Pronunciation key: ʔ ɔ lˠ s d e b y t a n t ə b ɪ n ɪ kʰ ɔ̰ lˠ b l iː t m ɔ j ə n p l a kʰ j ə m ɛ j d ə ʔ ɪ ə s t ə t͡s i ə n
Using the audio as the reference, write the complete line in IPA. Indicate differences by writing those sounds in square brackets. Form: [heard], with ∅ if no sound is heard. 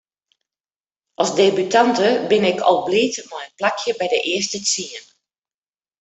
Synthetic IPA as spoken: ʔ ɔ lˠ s d e b y t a n t ə b ɪ n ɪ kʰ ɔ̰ lˠ b l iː t m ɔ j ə n p l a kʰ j ə [b] ɛ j d ə ʔ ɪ ə s t ə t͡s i ə n